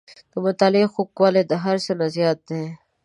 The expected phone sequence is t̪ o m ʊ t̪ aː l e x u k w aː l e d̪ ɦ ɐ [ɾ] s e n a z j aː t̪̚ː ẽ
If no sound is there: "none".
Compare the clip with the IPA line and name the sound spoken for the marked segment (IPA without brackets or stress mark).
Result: ɾ